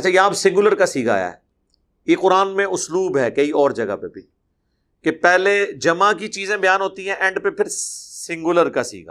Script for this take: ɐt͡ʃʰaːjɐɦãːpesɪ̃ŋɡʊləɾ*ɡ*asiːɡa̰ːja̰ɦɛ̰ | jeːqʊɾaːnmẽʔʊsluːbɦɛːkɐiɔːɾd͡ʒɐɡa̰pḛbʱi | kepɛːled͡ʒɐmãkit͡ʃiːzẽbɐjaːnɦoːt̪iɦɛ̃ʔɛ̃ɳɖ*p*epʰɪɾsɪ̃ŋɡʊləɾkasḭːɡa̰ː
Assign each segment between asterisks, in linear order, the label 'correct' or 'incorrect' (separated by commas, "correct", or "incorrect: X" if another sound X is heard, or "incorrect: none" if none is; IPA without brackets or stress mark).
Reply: incorrect: k, correct